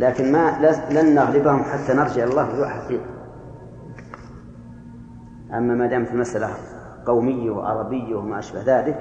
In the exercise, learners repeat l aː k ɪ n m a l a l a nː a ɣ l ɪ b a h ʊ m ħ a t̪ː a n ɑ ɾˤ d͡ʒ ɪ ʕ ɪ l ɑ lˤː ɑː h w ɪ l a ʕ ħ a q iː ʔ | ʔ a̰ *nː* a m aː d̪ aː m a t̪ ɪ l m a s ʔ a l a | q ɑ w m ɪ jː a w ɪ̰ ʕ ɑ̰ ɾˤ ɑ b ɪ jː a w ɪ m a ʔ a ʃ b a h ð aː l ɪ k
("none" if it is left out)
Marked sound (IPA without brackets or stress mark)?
mː